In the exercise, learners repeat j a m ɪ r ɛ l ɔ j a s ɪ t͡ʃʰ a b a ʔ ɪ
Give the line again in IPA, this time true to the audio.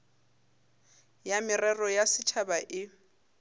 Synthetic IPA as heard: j a m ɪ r ɛ r ɔ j a s ɪ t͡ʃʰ a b a ʔ ɪ

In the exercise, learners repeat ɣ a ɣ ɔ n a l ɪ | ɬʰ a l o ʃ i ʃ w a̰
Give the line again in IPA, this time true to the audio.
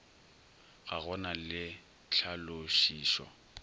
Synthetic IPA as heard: ɣ a ɣ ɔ n a l ɪ | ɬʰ a l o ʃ iː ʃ w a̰

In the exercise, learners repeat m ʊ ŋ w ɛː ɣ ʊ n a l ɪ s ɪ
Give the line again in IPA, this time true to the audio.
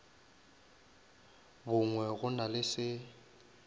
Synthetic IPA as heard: b ʊ ŋ w ɛ ɣ ʊ n a l ɪ s ɪ

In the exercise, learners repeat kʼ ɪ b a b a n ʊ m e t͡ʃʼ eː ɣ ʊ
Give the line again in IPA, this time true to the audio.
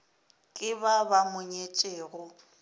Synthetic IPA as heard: kʼ ɪ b a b a m ʊ ɲ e t͡ʃʼ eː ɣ ʊ

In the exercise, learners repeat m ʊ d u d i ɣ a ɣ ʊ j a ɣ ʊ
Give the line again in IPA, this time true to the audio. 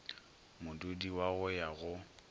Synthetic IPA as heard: m ʊ d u d i w a ɣ ʊ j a ɣ ʊ

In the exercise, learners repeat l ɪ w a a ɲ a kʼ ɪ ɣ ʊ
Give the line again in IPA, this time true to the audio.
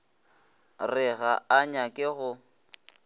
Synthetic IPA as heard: r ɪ ɣ a a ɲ a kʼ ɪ ɣ ʊ

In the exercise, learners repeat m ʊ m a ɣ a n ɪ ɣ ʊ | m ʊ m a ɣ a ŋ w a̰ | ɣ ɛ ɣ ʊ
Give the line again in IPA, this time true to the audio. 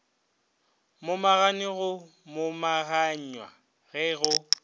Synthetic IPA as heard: m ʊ m a ɣ a n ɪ ɣ ʊ | m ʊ m a ɣ a ɲ w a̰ | ɣ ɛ ɣ ʊ

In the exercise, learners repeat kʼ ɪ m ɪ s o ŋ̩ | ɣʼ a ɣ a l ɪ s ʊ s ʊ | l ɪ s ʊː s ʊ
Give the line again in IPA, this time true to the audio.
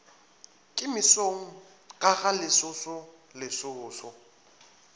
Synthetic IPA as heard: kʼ ɪ m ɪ s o ŋ̩ | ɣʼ a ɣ a l ɪ s ʊ s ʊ | l ɪ s ʊː s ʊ

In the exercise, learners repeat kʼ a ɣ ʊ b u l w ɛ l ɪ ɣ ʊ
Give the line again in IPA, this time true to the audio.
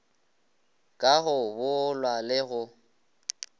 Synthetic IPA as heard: kʼ a ɣ ʊ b ʊ l w a l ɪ ɣ ʊ

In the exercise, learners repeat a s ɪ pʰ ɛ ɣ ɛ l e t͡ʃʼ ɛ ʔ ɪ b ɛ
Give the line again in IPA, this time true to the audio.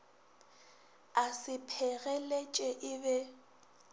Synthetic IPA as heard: a s ɪ pʰ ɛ ɣ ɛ l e t͡ʃʼ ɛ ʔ ɪ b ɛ

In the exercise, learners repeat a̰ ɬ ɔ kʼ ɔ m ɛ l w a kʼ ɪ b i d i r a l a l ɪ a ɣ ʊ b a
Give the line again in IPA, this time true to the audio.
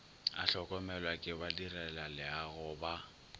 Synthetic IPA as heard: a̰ ɬ ɔ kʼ ɔ m ɛ l w a kʼ ɪ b a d i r ɛ l a l ɪ a ɣ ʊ b a

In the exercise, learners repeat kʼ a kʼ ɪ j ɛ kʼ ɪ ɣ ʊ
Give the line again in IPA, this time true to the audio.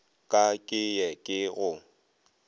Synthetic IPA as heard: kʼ a kʼ ɪ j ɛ kʼ ɪ ɣ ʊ

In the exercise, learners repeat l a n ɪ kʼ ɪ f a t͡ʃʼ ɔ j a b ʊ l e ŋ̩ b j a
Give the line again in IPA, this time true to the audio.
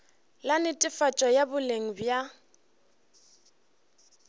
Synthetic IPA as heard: l a n ɪ tʼ ɪ f a t͡ʃʼ ɔ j a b ʊ l e ŋ̩ b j a

